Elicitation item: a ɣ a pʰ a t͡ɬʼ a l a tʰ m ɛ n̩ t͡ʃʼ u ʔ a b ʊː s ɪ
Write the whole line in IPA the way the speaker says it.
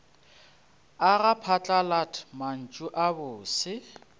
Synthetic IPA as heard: a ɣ a pʰ a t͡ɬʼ a l a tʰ m a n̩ t͡ʃʼ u ʔ a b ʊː s ɪ